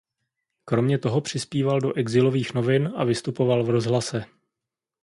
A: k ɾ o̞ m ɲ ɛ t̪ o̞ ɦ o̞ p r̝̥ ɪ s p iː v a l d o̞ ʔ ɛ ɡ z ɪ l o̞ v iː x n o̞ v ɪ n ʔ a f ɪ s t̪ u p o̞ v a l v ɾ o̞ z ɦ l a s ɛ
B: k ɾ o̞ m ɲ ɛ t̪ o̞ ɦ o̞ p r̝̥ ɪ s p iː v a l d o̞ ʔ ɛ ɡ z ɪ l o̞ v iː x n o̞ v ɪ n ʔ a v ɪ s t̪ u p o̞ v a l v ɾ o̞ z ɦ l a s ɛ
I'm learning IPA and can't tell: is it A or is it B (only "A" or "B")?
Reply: B